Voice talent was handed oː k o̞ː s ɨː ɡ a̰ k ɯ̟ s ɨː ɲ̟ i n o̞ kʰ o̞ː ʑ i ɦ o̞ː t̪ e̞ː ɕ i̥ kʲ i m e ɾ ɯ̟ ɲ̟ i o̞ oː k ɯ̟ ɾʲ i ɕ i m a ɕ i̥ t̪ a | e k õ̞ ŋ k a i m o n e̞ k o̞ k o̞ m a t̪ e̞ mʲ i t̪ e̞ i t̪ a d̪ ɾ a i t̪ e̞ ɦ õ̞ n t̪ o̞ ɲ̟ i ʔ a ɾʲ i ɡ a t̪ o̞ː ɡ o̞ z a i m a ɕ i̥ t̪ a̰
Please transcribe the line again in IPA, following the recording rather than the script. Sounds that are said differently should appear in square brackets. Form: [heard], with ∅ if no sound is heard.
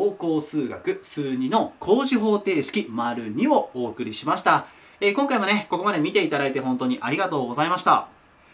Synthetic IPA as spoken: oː k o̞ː s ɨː ɡ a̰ k ɯ̟ s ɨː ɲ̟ i n o̞ kʰ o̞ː ʑ i ɦ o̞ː t̪ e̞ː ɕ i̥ kʲ i m [a] ɾ ɯ̟ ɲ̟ i o̞ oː k ɯ̟ ɾʲ i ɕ i m a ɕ i̥ t̪ a | e k õ̞ ŋ k a i m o n e̞ k o̞ k o̞ m a [d̪] e̞ mʲ i t̪ e̞ i t̪ a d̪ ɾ a i t̪ e̞ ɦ õ̞ n t̪ o̞ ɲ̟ i ʔ a ɾʲ i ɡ a t̪ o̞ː ɡ o̞ z a i m a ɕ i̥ t̪ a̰